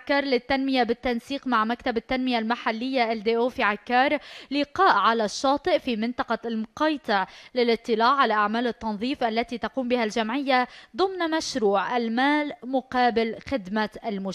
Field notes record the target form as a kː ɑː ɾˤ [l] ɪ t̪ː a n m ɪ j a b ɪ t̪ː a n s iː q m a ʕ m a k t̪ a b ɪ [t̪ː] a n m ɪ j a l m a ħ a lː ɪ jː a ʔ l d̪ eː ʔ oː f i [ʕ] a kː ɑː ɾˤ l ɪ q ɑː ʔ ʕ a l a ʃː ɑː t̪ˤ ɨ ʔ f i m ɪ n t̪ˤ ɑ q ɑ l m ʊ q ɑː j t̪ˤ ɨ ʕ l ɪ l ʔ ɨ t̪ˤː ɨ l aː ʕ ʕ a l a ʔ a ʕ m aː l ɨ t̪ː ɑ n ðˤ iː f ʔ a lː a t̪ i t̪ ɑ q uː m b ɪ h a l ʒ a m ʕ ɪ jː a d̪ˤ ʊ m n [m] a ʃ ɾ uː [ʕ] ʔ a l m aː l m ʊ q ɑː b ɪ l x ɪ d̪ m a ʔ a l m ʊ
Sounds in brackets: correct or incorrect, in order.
correct, correct, correct, correct, correct

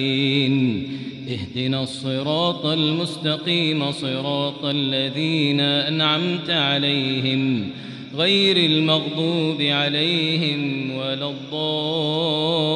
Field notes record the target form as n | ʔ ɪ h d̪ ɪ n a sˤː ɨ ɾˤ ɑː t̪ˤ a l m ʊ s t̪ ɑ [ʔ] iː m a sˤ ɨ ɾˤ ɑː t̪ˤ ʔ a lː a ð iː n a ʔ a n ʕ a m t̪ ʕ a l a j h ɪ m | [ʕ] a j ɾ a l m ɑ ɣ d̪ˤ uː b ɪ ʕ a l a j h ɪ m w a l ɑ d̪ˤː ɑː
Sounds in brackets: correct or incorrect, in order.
incorrect: q, incorrect: ɣ

